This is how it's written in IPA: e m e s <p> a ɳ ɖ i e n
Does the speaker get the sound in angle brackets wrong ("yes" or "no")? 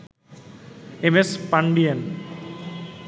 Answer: no